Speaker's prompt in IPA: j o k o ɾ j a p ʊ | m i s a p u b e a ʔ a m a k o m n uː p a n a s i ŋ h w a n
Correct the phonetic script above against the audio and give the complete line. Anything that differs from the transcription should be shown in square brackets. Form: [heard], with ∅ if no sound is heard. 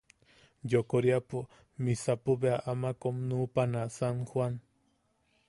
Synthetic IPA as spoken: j o k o ɾ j a p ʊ | m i s a p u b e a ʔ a m a k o m n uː p a n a s [a] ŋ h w a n